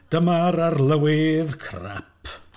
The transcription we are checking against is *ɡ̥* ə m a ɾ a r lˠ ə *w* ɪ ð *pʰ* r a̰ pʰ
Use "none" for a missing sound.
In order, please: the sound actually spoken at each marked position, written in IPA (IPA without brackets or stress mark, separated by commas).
d̥, w, kʰ